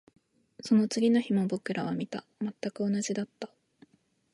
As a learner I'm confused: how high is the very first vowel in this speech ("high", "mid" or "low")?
mid